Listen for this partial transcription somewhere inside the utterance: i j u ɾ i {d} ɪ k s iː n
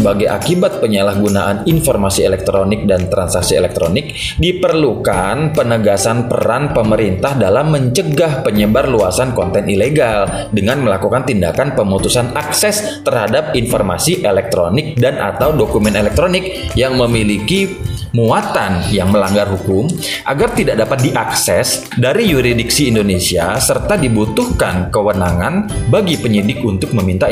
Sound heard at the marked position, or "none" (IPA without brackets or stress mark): d